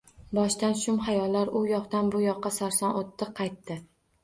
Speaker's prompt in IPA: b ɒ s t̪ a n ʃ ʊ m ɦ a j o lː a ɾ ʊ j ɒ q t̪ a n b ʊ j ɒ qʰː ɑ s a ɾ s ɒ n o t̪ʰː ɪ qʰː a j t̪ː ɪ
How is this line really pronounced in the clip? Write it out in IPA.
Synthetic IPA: b ɒ ʃ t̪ a n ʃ ʊ m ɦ a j ɒ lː a ɾ ʊ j ɒ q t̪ a n b ʊ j ɒ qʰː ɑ s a ɾ s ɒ n o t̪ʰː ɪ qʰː ɑ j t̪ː ɪ